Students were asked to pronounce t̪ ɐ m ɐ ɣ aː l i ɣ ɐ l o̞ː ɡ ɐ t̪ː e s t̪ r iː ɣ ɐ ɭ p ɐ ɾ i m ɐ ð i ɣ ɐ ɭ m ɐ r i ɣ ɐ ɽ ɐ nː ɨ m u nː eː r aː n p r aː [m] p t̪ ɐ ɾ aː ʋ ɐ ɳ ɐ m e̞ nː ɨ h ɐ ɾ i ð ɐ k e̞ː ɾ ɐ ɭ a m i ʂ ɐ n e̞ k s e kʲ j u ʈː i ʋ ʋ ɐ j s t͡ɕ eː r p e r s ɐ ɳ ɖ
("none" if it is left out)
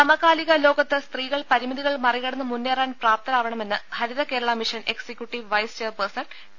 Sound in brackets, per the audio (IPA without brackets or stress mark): none